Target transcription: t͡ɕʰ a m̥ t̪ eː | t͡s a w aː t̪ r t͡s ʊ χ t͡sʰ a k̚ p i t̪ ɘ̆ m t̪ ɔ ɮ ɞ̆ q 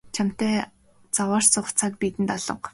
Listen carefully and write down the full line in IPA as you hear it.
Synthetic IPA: t͡ɕʰ a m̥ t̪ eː | t͡s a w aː r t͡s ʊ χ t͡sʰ a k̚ p i t̪ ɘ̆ n t̪ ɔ ɮ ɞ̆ q